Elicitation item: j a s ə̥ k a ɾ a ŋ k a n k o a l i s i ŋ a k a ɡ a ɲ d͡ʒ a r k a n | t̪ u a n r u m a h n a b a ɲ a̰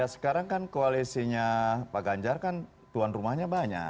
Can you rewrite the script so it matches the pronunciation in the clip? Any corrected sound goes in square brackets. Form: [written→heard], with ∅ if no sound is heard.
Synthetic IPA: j a s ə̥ k a ɾ a ŋ k a n k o a l i s i [ŋ→ɲ] a [k→p] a ɡ a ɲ d͡ʒ a r k a n | t̪ u a n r u m a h [n→ɲ] a b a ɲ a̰